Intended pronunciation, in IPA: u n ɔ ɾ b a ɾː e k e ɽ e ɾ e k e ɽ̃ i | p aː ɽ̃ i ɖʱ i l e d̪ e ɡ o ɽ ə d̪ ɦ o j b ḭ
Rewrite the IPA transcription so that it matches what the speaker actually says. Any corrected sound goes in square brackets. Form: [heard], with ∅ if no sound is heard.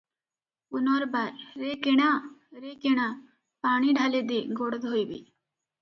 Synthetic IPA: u n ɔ ɾ b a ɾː e k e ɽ [a] ɾ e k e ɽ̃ [a] | p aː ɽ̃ i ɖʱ [a] l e d̪ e ɡ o ɽ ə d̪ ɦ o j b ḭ